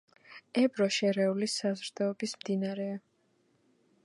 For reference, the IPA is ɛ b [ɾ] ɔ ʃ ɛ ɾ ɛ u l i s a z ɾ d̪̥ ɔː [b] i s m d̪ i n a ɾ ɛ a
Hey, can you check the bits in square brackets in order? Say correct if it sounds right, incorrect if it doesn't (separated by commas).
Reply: correct, correct